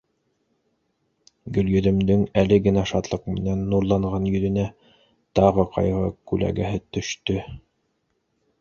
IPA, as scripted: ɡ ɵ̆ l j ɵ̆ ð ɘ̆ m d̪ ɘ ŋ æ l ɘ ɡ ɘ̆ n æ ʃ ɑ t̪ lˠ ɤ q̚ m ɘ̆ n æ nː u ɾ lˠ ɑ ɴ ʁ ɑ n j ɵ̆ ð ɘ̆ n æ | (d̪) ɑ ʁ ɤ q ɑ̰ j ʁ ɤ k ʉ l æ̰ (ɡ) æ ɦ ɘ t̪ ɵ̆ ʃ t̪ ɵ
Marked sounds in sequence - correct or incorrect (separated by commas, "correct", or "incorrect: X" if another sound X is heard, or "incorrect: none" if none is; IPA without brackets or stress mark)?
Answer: incorrect: t̪, correct